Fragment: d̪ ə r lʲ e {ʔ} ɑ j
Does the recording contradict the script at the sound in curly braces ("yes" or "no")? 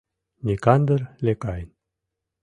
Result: yes